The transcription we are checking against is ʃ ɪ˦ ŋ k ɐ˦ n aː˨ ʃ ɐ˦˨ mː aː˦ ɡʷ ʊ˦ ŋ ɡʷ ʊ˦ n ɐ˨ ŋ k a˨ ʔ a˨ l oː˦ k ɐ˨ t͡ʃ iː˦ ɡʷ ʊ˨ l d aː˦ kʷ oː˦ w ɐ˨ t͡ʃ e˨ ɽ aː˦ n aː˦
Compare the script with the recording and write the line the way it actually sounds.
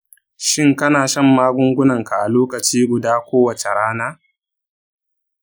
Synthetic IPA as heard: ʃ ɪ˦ ŋ k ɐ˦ n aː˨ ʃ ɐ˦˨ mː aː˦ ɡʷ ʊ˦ ŋ ɡʷ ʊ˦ n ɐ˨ ŋ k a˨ ʔ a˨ l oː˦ k ɐ˨ t͡ʃ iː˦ ɡʷ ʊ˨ d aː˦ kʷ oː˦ w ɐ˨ t͡ʃ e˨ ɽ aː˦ n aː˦